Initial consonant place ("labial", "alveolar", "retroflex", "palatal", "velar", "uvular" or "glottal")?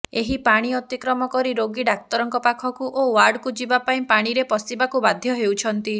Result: glottal